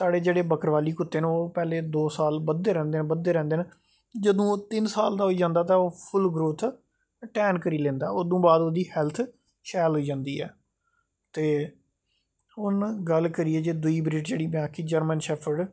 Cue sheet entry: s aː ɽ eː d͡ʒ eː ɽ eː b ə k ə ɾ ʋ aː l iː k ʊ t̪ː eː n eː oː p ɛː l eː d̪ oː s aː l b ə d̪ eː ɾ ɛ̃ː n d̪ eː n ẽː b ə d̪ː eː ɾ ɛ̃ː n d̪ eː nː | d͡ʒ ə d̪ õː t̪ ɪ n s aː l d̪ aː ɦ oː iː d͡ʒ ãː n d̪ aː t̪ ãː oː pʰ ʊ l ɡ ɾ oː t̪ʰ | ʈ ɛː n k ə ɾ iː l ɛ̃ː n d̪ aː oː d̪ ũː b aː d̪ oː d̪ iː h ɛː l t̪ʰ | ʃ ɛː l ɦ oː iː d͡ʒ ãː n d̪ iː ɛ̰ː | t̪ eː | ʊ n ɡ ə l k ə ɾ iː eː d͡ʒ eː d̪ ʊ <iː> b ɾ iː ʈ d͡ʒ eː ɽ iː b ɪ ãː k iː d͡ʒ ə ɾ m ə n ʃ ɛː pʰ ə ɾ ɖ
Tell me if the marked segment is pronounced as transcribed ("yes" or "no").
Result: yes